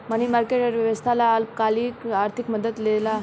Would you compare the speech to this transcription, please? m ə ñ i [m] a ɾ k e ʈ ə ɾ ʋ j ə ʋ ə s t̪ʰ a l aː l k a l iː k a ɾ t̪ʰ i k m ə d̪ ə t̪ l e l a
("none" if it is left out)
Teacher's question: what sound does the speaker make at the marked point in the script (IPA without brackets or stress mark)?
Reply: m